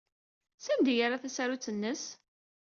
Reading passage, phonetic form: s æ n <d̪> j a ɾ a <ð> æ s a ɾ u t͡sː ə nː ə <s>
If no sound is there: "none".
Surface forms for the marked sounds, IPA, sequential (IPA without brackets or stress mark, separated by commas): d̪, θ, s